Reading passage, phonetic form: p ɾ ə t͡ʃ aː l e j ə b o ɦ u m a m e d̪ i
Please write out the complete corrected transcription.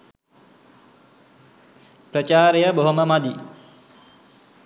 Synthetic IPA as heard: p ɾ ə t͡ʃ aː ɾ e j ə b o ɦ o m ə m a d̪ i